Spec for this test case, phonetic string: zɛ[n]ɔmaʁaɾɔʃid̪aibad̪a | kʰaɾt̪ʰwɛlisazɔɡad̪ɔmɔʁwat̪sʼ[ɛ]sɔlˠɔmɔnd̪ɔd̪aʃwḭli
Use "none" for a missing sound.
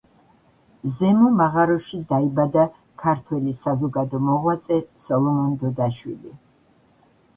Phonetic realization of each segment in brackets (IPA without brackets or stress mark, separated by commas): m, ɛ